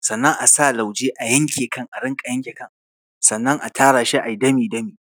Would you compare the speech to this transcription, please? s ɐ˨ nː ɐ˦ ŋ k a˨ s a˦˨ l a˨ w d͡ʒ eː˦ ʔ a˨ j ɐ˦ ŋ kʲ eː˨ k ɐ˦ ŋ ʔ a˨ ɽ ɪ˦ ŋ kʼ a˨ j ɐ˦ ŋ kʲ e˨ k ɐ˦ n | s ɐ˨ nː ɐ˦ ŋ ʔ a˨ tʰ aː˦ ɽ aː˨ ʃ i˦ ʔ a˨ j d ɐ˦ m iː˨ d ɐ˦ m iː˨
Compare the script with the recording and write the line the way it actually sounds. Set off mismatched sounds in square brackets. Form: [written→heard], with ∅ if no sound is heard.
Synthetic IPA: s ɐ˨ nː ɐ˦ ŋ [k→ʔ] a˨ s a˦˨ l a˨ w d͡ʒ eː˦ ʔ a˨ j ɐ˦ ŋ kʲ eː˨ k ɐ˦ ŋ ʔ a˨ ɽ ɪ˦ ŋ kʼ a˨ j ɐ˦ ŋ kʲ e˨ k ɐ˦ [n→ŋ] | s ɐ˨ nː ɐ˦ ŋ ʔ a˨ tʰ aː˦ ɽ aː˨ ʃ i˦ ʔ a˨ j d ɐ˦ m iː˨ d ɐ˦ m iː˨

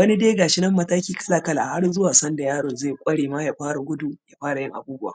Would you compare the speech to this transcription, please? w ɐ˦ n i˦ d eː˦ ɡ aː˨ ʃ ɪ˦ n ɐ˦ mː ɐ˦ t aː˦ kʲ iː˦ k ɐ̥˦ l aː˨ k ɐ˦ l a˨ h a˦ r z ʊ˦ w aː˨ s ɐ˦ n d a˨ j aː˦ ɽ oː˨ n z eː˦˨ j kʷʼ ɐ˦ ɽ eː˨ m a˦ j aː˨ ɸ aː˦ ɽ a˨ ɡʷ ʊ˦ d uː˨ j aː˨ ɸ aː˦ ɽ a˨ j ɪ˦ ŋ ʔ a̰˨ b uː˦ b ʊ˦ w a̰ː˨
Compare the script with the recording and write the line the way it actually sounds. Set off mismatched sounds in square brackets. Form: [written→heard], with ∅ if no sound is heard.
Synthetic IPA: w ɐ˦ n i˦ d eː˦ ɡ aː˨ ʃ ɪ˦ n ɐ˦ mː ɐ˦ t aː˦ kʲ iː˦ k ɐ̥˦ l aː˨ k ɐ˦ l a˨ h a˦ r z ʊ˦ w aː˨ s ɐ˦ n d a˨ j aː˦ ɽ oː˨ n z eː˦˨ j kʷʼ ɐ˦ ɽ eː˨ m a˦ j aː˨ ɸ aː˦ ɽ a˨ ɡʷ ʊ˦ d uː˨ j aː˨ ɸ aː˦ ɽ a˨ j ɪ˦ ŋ ʔ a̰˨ b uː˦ b ʊ˦ w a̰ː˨

